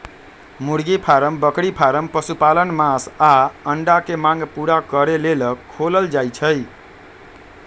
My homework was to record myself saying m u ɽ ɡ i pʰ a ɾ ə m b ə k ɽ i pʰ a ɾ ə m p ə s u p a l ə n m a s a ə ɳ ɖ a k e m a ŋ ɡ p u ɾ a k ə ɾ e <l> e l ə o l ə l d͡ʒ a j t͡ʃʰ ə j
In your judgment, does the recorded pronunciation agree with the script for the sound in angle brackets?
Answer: yes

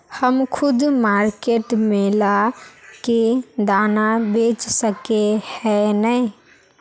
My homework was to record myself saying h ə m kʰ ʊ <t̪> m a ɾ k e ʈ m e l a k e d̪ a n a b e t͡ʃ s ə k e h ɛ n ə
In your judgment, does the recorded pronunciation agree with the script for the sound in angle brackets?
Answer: no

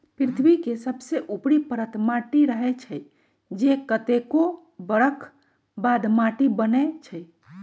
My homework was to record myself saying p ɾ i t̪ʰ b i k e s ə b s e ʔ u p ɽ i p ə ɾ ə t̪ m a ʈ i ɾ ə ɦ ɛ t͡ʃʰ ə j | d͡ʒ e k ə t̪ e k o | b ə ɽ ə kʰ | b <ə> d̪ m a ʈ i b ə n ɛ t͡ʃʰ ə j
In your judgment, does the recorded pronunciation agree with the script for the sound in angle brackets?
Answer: no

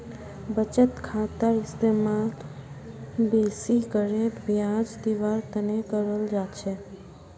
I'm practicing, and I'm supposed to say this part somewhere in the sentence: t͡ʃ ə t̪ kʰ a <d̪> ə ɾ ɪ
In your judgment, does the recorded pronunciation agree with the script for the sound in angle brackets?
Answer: no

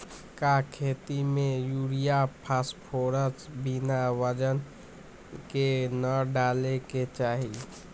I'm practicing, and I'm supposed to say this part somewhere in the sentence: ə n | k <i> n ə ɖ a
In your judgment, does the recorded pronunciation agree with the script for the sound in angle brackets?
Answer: no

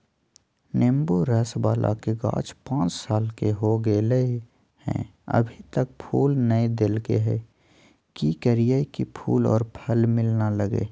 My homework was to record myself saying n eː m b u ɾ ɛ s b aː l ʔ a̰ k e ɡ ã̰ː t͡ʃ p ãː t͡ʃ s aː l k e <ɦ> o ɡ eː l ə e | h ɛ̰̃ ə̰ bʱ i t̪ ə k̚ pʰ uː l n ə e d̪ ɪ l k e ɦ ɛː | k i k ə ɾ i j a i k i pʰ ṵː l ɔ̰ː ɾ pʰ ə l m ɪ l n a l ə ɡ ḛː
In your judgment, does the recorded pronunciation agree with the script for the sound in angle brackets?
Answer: yes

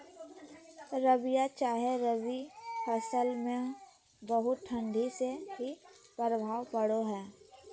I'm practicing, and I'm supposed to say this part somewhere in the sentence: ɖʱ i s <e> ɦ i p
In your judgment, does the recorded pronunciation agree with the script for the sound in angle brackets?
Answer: yes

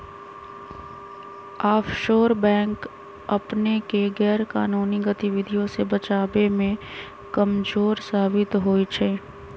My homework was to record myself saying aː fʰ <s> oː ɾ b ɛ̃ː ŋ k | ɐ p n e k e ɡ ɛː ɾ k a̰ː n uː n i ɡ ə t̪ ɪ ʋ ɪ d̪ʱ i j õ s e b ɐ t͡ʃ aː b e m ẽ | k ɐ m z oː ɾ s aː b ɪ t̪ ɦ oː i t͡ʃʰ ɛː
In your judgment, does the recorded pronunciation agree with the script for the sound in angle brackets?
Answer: no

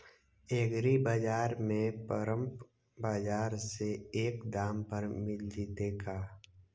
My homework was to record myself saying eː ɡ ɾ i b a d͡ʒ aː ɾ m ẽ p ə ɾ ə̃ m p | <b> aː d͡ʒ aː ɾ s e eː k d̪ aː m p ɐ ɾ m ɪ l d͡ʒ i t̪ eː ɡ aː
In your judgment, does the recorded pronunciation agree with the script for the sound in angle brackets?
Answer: yes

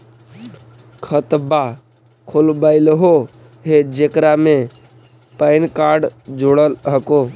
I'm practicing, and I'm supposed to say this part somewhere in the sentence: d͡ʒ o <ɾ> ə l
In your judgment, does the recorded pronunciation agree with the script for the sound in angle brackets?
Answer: no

